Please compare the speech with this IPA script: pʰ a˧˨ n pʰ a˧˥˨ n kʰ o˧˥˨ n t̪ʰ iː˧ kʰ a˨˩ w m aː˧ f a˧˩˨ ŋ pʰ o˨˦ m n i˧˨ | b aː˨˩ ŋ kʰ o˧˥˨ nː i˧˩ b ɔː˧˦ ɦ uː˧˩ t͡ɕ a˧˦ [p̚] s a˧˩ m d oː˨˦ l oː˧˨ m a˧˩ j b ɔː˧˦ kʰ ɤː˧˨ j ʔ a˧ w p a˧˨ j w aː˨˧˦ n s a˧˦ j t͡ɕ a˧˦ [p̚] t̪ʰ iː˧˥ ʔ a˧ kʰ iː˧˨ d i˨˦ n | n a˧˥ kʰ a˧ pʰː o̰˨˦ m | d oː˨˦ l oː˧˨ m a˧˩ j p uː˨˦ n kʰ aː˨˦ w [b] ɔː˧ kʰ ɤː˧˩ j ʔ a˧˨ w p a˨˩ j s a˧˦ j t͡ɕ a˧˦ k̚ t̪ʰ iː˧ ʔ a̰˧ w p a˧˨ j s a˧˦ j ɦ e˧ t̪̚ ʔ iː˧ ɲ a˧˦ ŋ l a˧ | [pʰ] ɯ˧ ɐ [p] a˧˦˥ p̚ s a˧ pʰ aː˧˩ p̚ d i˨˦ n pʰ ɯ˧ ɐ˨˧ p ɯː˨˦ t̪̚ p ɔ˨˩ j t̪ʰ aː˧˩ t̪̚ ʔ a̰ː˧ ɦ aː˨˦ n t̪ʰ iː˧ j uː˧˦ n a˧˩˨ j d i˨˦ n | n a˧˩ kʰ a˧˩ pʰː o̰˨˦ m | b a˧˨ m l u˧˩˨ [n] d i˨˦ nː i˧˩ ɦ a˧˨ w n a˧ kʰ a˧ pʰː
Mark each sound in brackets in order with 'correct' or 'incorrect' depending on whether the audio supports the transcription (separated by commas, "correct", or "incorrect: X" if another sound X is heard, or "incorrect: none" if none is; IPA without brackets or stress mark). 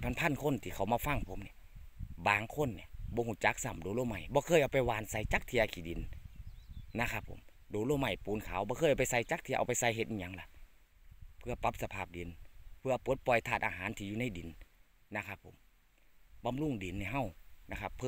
incorrect: k̚, incorrect: k̚, correct, correct, correct, incorrect: ŋ